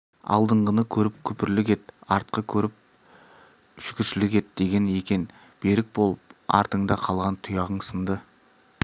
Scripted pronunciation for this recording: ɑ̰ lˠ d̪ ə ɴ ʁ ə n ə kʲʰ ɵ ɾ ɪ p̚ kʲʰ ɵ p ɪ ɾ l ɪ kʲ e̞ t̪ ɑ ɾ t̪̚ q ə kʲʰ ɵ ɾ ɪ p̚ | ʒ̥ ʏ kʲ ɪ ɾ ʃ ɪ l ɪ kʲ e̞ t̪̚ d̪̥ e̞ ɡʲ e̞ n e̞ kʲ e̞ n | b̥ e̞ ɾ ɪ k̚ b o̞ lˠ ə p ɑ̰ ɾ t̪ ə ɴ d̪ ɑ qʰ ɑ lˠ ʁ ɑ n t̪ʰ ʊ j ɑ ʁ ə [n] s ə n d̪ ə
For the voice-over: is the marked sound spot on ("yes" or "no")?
no